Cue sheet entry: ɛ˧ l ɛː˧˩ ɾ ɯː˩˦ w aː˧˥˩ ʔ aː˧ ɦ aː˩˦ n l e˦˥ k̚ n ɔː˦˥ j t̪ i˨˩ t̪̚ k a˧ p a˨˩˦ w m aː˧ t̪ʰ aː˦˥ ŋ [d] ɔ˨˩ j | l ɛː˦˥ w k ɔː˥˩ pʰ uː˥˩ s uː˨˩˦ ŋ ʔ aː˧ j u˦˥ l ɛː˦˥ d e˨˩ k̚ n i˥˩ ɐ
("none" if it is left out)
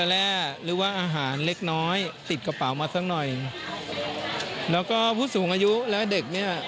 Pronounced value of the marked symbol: n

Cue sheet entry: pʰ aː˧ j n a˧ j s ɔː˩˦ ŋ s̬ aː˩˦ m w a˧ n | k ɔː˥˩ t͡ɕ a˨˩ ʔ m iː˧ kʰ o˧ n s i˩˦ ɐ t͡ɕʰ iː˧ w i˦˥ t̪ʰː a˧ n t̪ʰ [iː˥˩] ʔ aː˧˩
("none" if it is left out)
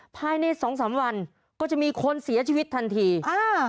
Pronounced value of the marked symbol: iː˧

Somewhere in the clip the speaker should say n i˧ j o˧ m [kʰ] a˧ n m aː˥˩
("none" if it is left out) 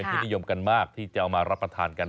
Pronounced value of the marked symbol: k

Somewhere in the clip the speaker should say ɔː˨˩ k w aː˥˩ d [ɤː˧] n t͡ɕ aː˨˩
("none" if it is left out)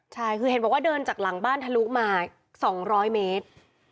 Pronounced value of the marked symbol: ɤː˧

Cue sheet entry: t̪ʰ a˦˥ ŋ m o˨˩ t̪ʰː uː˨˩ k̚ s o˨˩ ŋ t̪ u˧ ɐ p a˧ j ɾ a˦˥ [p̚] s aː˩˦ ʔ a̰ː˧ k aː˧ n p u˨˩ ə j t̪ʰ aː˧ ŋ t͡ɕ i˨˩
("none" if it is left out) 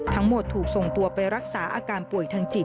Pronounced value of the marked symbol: k̚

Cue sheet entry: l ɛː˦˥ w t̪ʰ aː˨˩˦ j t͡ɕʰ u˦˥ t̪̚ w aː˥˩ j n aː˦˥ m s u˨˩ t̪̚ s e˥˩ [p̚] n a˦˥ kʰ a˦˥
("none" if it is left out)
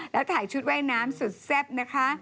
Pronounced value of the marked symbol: p̚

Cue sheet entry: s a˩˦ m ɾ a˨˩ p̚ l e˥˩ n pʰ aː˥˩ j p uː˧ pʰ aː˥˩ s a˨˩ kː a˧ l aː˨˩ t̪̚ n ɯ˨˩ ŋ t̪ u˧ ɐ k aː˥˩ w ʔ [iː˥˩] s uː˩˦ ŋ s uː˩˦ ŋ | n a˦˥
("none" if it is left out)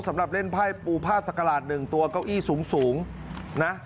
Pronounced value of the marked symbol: iː˥˩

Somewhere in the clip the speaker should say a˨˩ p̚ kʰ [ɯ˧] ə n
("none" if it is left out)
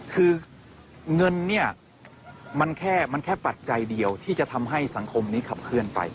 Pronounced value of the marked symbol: ɯ˥˩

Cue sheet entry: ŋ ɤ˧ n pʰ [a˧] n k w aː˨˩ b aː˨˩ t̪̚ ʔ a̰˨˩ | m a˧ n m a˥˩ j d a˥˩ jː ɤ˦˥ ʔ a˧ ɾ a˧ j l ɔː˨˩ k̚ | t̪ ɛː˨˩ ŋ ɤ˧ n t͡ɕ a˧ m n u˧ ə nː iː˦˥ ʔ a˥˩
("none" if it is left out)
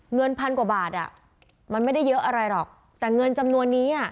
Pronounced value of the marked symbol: a˧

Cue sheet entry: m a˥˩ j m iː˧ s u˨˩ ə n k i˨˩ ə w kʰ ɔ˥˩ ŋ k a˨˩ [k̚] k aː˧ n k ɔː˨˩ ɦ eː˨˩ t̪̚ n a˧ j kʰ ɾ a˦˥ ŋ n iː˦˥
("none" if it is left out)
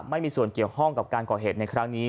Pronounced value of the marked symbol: p̚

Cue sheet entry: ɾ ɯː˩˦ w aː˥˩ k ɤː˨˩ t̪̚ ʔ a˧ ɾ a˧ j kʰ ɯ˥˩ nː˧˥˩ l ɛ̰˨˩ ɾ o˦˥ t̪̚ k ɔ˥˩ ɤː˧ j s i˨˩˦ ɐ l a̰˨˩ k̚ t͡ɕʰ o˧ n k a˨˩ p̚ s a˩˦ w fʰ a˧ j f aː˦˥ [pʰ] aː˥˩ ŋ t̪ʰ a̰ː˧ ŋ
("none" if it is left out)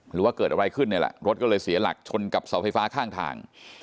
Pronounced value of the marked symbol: kʰ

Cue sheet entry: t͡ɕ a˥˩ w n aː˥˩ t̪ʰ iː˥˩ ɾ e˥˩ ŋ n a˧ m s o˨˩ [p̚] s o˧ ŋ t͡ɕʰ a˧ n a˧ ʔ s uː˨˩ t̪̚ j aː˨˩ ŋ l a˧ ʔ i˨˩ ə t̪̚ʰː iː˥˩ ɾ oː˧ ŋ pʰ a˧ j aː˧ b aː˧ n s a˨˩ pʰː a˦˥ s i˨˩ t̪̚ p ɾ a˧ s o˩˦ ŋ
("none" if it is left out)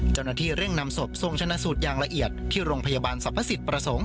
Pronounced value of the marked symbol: p̚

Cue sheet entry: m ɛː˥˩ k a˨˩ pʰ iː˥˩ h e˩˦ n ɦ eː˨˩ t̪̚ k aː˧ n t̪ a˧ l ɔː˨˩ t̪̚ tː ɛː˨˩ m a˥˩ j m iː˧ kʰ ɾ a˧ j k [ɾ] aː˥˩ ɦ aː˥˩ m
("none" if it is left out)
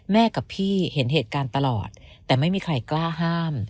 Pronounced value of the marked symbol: l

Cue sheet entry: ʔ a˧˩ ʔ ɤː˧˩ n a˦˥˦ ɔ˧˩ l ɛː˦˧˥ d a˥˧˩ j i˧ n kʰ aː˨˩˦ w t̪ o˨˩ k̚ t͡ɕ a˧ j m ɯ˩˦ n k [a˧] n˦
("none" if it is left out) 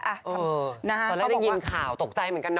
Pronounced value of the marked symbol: a˧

